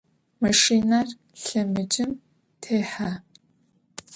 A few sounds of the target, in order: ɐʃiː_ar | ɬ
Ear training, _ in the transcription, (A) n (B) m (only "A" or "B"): A